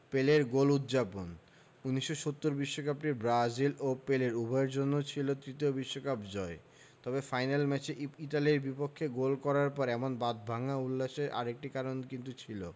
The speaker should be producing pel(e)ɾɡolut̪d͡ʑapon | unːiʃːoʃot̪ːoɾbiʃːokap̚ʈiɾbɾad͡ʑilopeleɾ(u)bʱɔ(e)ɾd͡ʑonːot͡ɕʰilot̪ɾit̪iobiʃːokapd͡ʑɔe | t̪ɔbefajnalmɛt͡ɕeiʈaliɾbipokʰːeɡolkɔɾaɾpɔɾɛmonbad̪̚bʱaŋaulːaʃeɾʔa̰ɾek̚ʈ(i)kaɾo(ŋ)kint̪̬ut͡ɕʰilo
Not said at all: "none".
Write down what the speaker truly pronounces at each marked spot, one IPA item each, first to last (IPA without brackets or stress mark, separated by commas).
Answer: e, u, e, i, n